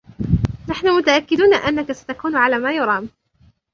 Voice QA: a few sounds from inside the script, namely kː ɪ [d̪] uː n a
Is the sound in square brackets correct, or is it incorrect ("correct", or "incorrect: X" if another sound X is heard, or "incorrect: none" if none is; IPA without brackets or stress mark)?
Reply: correct